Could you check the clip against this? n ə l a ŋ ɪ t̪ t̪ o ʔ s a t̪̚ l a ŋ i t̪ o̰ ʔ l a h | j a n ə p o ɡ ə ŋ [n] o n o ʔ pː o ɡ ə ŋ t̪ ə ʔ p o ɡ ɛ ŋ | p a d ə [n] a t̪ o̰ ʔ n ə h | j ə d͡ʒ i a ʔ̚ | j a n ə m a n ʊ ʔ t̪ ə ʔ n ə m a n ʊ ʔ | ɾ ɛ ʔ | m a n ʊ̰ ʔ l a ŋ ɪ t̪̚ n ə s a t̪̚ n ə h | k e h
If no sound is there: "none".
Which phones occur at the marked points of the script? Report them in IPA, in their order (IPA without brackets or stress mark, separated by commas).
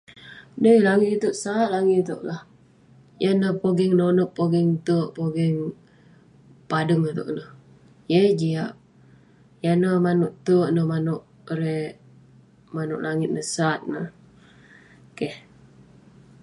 n, ŋ